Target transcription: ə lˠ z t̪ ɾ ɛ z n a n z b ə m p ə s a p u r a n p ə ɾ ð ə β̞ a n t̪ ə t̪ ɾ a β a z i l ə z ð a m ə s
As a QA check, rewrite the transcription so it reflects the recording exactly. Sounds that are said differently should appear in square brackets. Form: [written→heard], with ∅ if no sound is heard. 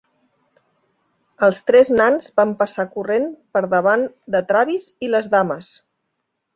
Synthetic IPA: ə lˠ [z→s] t̪ ɾ ɛ z n a n z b [ə→a] m p ə s a [p→k] u r [a→e] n p ə ɾ ð ə β̞ a n [t̪→d̪] ə t̪ ɾ a β [a→i] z i l ə z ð a m ə s